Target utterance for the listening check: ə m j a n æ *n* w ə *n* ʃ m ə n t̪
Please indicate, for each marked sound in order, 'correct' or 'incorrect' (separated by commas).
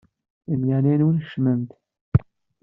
correct, correct